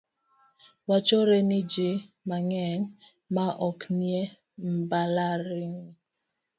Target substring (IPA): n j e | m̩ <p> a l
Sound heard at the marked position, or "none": b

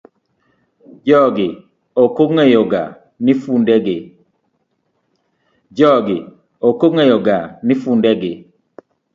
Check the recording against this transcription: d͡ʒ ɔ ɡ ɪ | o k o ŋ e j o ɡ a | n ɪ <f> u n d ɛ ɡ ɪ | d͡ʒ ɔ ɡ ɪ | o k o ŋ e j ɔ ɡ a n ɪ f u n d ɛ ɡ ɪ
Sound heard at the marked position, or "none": f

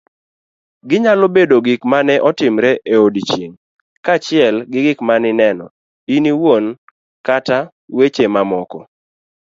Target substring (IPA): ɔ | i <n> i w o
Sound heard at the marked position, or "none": n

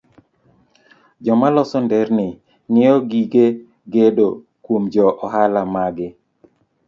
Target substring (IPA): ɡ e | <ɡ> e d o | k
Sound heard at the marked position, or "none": ɡ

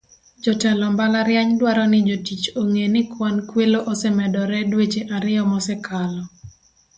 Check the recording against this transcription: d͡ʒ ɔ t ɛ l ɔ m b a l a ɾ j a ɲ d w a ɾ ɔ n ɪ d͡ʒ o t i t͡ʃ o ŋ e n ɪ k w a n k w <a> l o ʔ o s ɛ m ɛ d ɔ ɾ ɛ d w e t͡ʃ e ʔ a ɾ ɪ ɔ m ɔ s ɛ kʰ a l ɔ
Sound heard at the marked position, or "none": e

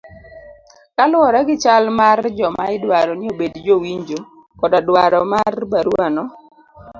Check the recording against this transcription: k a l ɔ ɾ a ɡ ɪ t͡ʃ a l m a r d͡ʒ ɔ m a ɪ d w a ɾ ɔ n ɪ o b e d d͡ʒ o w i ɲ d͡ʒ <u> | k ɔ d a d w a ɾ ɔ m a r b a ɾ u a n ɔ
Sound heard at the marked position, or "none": o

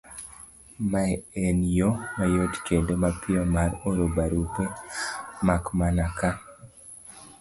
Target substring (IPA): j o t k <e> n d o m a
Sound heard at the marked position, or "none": e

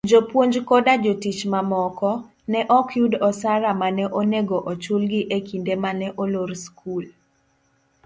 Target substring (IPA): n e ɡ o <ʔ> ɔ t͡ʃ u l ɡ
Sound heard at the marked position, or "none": ʔ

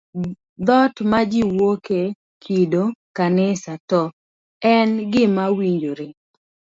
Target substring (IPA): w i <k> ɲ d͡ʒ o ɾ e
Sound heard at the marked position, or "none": none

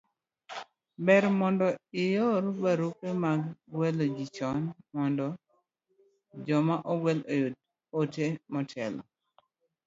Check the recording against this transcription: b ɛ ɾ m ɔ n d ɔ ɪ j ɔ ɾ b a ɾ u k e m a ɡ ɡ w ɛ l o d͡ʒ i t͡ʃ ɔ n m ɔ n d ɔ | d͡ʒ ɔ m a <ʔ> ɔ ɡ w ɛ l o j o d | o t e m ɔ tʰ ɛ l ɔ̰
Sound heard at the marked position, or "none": ʔ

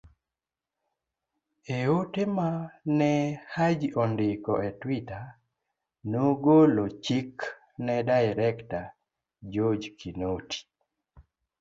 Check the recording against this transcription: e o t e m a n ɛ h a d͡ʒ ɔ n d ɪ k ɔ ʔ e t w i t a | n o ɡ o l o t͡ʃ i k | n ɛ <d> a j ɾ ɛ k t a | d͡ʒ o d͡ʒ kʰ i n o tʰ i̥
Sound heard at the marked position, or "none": d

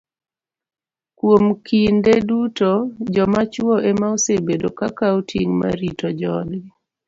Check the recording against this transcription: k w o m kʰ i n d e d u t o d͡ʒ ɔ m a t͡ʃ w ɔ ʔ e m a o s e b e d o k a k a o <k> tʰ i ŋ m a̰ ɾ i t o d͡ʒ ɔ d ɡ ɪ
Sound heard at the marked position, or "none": none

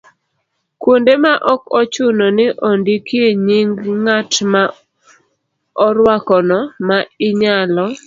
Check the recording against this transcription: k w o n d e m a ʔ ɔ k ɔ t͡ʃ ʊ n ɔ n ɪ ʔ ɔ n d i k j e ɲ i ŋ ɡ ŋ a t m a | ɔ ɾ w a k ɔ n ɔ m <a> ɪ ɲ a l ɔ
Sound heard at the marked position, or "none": a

